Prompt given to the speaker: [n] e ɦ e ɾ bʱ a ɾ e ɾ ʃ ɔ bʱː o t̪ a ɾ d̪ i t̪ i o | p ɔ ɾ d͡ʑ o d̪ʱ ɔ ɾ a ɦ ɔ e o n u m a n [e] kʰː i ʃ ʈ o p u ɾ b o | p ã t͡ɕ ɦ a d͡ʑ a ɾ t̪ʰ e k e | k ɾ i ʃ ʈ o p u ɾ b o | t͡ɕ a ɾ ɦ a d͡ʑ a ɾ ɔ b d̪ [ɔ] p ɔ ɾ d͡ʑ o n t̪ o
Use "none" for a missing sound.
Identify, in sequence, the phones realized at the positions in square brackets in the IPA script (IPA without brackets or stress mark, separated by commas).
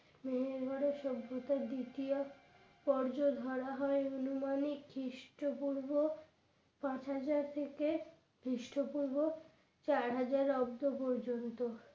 m, i, o